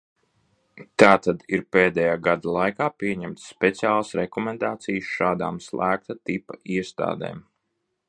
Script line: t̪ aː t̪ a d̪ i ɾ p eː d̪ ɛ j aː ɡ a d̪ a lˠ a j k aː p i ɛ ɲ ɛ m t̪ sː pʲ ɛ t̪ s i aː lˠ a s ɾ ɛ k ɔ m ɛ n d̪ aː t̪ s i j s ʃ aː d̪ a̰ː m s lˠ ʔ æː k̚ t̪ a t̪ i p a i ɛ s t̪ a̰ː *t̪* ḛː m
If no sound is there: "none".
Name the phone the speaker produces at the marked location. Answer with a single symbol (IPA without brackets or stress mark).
d̪